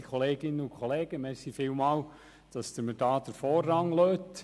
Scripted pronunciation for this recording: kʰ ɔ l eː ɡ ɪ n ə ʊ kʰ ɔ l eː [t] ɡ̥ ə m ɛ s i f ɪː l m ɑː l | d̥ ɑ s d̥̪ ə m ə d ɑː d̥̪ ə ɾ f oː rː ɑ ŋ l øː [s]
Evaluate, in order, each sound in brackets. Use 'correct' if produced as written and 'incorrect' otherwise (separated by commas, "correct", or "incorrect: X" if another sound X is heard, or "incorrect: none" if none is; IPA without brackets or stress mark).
incorrect: none, incorrect: t